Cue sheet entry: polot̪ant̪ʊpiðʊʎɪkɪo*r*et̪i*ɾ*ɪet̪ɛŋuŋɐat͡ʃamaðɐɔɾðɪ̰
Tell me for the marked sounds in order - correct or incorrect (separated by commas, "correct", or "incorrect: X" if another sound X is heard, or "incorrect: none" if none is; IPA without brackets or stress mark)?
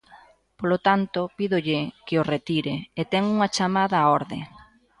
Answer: correct, correct